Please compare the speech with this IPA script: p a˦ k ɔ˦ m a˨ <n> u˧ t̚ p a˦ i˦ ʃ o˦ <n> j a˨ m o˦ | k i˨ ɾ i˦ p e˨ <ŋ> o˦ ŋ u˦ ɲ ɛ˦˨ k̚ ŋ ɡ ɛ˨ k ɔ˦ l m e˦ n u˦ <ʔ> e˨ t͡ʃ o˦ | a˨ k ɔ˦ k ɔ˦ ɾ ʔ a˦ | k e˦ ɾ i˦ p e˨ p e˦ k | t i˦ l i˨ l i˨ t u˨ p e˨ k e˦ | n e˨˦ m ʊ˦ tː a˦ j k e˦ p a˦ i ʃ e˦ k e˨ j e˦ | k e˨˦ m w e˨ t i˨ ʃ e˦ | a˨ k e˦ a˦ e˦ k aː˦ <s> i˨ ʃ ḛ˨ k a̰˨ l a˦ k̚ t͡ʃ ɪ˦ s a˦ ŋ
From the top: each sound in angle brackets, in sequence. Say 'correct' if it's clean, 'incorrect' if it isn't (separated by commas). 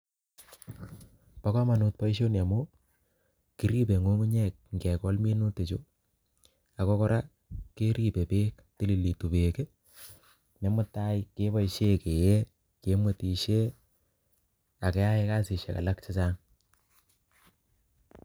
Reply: correct, correct, correct, incorrect, correct